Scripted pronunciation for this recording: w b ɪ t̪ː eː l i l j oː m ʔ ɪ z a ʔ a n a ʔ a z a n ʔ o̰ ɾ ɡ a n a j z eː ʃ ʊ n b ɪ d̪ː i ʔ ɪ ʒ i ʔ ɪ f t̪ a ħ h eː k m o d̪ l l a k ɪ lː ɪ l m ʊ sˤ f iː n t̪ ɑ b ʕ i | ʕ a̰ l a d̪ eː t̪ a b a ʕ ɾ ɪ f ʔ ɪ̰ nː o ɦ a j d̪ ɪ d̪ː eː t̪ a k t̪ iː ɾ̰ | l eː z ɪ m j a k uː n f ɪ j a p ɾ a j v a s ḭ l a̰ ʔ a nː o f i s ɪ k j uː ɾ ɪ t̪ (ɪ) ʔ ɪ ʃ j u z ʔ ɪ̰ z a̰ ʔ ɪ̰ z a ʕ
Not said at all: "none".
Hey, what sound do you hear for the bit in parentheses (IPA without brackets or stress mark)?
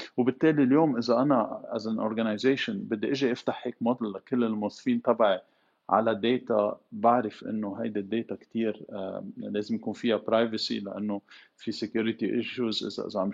i